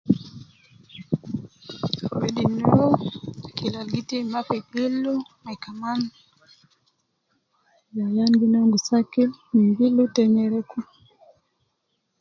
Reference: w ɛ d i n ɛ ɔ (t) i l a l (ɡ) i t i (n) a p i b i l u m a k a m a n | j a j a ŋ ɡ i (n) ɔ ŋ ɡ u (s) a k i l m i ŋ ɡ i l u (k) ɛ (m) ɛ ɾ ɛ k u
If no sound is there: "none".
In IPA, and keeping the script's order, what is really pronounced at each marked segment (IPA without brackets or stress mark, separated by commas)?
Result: k, ɡ, m, n, s, t, ɲ